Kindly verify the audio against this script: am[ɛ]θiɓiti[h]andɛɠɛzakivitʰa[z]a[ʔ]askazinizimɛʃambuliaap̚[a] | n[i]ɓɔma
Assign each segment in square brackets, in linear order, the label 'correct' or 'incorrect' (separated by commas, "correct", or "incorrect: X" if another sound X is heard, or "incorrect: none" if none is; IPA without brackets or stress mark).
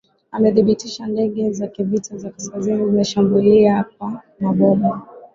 correct, incorrect: ʃ, correct, incorrect: k, correct, incorrect: a